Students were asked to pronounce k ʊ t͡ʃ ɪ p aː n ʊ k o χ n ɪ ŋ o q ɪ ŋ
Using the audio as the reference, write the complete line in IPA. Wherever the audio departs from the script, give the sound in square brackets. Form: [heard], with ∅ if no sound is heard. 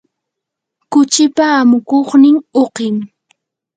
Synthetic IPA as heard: k ʊ t͡ʃ ɪ p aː [m] ʊ k o χ n ɪ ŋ o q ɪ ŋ